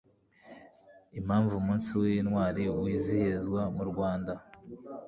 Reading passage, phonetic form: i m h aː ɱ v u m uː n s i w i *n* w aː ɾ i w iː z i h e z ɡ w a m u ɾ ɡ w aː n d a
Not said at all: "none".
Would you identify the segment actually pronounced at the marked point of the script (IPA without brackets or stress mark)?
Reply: n